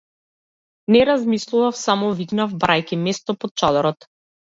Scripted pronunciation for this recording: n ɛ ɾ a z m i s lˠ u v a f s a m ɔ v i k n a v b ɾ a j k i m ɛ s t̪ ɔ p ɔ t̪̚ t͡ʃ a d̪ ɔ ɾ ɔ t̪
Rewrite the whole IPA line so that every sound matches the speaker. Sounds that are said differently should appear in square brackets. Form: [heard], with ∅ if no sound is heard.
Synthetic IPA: n ɛ ɾ a z m i s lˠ u v a f s a m ɔ v i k n a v b ɾ a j k i m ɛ s t̪ ɔ p ɔ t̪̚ t͡ʃ a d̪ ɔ ɾ ɔ t̪